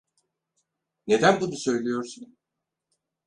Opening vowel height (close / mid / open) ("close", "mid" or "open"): mid